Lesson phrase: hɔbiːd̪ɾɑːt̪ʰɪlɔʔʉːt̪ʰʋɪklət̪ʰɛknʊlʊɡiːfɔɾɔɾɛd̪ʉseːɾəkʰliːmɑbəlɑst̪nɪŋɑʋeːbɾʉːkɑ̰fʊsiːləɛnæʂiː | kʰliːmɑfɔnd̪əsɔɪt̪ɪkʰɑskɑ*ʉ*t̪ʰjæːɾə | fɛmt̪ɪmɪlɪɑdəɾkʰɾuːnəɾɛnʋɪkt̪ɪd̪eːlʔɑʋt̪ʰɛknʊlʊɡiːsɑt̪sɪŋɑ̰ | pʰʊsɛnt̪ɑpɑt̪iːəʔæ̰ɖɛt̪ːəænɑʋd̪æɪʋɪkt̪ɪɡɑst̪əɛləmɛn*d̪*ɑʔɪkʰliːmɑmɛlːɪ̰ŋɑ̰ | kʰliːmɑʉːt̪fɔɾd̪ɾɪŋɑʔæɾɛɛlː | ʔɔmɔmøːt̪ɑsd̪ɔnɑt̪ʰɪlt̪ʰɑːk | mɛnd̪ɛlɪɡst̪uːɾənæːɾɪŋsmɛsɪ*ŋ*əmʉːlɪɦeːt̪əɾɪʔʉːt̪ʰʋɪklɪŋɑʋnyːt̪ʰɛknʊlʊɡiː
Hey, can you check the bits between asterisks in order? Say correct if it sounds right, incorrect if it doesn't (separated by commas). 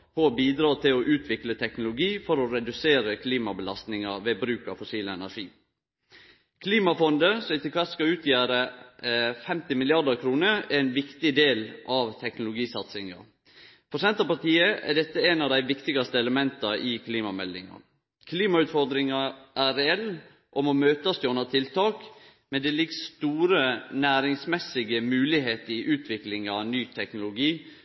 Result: incorrect, incorrect, incorrect